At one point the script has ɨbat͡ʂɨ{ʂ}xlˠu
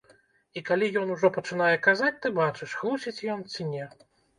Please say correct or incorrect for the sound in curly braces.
correct